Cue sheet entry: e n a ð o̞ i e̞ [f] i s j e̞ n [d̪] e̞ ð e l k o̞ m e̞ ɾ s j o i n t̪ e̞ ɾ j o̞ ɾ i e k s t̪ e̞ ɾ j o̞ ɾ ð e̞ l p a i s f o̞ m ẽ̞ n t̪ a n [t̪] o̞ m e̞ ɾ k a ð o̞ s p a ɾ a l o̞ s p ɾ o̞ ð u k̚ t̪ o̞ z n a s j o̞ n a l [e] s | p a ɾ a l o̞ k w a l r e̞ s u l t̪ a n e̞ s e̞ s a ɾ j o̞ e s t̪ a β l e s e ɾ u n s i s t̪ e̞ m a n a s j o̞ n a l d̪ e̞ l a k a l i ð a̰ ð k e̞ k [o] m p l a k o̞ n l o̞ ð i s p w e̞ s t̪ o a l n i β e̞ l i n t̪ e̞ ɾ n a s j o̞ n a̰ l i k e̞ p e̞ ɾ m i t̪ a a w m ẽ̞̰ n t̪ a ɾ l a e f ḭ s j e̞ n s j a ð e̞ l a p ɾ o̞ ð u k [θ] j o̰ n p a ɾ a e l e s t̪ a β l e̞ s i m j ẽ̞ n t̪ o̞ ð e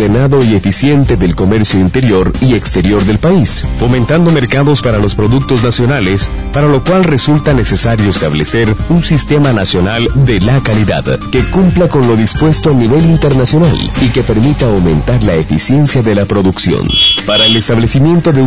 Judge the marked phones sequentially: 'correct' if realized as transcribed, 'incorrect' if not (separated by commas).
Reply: correct, incorrect, incorrect, correct, incorrect, incorrect